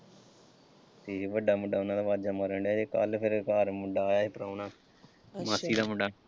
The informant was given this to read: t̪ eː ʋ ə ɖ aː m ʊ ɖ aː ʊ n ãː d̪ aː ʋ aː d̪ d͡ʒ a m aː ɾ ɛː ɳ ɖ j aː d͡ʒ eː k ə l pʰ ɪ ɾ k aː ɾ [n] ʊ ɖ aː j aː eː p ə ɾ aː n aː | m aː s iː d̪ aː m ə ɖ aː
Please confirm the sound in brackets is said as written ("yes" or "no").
no